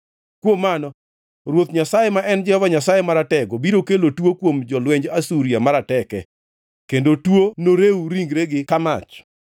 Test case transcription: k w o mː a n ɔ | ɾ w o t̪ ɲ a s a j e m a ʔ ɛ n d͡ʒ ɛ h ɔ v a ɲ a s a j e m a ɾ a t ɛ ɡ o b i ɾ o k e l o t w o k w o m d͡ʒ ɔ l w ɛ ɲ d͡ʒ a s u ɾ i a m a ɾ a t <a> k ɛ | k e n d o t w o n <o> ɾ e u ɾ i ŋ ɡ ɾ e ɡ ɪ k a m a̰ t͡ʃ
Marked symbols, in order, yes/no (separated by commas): no, yes